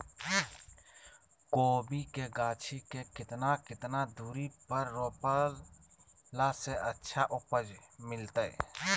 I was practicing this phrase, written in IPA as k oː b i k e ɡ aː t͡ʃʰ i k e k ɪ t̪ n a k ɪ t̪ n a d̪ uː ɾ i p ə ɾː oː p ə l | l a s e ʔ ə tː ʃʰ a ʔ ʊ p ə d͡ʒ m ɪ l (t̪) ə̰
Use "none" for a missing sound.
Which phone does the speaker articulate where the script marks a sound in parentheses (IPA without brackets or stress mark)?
t̪